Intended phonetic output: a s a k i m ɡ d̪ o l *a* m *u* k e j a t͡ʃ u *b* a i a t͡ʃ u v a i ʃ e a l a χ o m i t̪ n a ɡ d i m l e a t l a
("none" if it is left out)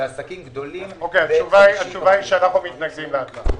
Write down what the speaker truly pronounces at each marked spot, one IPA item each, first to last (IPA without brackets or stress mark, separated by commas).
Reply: i, o, v